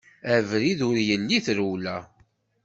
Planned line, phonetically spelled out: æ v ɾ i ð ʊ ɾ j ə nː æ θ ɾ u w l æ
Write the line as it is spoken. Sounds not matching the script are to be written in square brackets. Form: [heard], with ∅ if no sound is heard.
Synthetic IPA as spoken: æ v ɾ i ð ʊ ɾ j ə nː [i] θ ɾ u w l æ